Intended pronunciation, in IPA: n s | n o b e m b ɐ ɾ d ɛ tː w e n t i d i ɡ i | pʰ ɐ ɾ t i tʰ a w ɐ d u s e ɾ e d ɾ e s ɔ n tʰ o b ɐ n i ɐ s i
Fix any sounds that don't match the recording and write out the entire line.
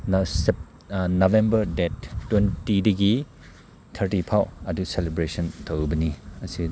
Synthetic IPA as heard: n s | n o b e m b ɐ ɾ d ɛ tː w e n t i d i ɡ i | tʰ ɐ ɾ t i pʰ a w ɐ d u s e l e b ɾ e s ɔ n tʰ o b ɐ n i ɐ s i